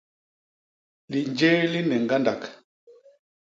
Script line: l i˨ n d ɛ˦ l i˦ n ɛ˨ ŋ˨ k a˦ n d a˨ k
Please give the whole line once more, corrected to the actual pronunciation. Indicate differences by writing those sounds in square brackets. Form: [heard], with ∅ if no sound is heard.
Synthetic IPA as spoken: l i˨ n [d͡ʒ] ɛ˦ l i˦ n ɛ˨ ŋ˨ [ɡ] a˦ n d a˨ k